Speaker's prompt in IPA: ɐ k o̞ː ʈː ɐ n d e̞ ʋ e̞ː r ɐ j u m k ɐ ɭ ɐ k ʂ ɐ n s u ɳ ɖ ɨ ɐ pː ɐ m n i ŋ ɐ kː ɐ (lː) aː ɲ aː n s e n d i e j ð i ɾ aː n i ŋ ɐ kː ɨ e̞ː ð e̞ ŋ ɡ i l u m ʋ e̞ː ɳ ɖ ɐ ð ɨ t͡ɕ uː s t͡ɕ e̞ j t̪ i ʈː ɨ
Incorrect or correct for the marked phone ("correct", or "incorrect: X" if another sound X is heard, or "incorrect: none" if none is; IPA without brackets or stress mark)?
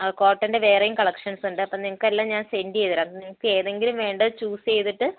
correct